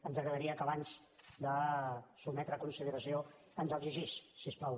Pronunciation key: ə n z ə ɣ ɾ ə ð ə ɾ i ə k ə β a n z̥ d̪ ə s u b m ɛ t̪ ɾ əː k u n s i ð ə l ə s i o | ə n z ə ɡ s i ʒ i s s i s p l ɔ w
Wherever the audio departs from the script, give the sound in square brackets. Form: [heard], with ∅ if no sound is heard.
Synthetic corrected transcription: ə n z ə ɣ ɾ ə ð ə ɾ i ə k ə β a n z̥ d̪ ə s u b m ɛ t̪ ɾ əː k u n s i ð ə [ɾ] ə s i o | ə n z ə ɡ [z] i ʒ i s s i s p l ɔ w